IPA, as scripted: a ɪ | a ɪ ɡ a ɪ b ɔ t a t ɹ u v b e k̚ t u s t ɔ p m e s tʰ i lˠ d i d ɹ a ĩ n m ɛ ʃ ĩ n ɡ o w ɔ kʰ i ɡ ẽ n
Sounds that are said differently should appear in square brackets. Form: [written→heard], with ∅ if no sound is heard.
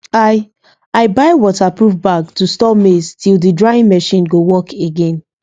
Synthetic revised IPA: a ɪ | a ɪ [ɡ→b] a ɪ [b→w] ɔ t a [t→p] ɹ u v b [e→a] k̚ t u s t ɔ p m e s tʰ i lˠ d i d ɹ a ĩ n m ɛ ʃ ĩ n ɡ o w ɔ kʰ [i→e] ɡ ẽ n